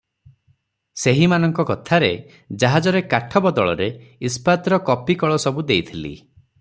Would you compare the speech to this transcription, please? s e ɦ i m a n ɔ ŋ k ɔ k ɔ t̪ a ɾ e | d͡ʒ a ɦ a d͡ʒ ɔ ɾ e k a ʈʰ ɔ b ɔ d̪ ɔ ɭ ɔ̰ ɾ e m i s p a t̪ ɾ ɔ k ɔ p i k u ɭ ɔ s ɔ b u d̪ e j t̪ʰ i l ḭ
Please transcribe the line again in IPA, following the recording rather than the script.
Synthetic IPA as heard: s e ɦ i m a n ɔ ŋ k ɔ k ɔ t̪ʰ a ɾ e | d͡ʒ a ɦ a d͡ʒ ɔ ɾ e k a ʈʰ ɔ b ɔ d̪ ɔ ɭ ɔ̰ ɾ e i s p a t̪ ɾ ɔ k ɔ p i k ɔ ɭ ɔ s ɔ b u d̪ e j t̪ʰ i l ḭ